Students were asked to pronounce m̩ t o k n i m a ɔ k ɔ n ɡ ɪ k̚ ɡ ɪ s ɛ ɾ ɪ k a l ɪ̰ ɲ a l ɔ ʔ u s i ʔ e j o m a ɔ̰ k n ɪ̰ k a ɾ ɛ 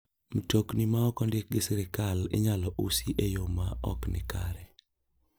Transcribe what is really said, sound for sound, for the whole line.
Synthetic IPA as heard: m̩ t o k n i m a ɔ k ɔ n d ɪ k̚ ɡ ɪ s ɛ ɾ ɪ k a l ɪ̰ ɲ a l ɔ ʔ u s i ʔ e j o m a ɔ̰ k n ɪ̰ k a ɾ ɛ